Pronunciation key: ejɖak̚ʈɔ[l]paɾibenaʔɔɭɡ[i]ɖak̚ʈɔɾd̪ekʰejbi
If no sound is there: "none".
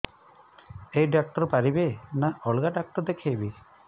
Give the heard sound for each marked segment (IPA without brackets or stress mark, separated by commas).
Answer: ɾ, a